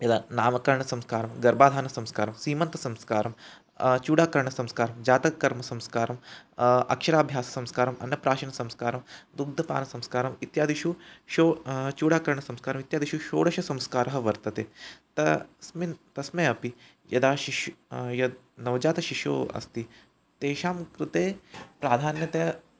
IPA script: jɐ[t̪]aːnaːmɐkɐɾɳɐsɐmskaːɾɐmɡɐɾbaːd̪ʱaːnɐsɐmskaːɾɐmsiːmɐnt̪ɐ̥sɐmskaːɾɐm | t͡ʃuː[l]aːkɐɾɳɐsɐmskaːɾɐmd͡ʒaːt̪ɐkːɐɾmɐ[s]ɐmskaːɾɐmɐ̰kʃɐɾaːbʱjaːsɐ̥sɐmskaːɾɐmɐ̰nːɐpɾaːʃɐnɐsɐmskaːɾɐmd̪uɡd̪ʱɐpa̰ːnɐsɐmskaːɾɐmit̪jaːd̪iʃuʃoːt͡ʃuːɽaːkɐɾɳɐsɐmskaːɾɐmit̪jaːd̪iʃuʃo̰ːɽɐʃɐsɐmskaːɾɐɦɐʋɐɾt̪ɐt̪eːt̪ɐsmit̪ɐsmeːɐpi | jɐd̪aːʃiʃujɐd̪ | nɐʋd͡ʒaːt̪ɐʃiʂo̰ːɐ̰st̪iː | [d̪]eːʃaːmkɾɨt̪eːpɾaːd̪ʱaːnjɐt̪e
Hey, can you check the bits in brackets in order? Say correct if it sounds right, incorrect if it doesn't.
incorrect, incorrect, correct, incorrect

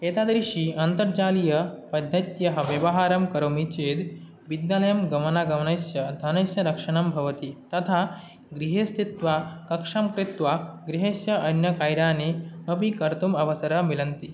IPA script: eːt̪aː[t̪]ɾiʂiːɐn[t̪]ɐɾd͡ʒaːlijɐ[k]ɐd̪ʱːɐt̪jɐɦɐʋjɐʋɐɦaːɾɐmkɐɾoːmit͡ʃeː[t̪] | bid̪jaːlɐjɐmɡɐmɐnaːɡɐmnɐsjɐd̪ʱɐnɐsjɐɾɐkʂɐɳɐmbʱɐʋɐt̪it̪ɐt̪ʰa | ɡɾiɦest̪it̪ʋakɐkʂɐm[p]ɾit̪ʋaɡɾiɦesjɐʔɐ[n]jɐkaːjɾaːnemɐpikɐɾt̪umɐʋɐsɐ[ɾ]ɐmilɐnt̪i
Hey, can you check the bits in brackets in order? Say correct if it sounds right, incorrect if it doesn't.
incorrect, correct, incorrect, incorrect, incorrect, correct, correct

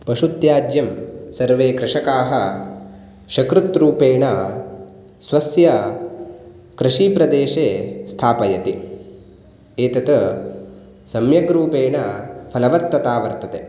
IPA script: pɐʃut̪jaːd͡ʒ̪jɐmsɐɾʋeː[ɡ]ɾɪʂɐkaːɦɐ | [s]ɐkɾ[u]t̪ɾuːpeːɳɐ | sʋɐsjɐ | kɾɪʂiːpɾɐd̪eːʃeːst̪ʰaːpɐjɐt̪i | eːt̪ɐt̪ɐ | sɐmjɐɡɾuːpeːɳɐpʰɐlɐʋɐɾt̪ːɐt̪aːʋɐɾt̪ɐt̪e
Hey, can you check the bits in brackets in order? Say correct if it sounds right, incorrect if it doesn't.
incorrect, incorrect, correct

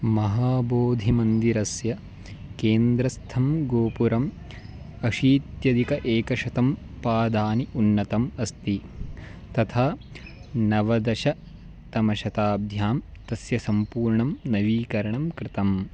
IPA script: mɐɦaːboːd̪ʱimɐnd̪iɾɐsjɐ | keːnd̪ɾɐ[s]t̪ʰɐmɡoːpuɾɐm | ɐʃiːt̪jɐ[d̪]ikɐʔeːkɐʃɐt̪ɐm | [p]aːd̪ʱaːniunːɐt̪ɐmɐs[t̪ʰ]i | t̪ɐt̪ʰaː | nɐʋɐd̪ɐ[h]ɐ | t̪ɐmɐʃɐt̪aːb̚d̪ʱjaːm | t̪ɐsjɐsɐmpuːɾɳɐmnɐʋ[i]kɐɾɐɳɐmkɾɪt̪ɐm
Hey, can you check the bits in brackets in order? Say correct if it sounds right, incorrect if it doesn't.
correct, correct, correct, incorrect, incorrect, incorrect

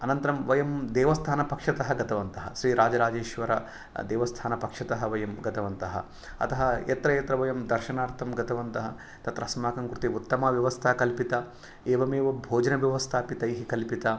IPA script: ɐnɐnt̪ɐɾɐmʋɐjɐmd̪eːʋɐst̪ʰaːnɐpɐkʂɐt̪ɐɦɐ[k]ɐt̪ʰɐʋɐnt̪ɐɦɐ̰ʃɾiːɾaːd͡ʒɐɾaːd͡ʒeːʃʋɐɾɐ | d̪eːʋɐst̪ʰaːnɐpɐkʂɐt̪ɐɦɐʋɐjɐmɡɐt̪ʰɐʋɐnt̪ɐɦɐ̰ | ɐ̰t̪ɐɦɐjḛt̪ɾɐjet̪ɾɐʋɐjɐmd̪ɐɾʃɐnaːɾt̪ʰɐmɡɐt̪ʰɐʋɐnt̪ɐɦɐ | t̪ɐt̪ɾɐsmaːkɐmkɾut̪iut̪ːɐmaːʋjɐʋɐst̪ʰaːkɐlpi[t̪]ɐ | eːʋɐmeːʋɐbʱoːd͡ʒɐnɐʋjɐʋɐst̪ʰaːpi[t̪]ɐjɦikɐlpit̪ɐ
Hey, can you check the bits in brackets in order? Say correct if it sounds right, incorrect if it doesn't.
incorrect, correct, correct

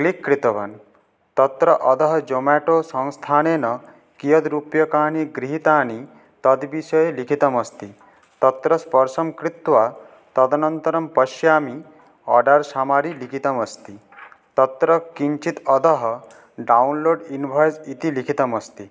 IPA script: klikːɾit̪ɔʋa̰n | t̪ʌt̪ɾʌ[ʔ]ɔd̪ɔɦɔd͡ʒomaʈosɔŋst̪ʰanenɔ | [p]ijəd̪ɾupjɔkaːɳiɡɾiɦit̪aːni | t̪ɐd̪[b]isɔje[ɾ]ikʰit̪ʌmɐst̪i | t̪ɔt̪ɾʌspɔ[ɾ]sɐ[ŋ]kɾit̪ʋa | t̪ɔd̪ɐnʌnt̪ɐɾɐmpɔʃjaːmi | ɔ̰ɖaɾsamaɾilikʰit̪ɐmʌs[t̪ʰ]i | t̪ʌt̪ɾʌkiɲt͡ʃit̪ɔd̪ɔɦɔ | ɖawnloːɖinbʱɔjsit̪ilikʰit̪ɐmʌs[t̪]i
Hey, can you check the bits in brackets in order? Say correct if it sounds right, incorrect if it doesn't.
correct, incorrect, correct, incorrect, correct, incorrect, incorrect, correct

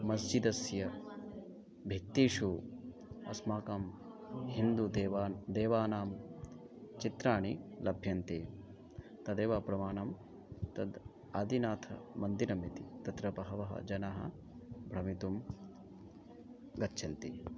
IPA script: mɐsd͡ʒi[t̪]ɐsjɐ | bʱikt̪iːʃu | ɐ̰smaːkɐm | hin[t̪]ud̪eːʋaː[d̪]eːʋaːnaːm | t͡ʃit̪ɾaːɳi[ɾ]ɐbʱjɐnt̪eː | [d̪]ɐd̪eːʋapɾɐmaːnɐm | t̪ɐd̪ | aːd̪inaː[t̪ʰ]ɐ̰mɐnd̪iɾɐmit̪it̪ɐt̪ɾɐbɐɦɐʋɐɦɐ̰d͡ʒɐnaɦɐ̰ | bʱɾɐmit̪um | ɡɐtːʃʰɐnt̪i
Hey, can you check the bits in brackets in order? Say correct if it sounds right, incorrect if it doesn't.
incorrect, incorrect, correct, incorrect, incorrect, correct

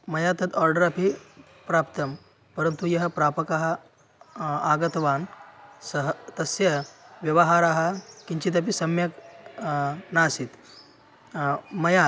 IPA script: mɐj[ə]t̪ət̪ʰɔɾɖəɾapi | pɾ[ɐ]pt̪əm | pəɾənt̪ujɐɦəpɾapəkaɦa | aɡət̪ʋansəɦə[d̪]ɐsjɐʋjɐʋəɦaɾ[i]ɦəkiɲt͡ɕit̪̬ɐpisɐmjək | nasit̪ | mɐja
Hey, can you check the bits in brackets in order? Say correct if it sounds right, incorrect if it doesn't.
incorrect, incorrect, incorrect, incorrect

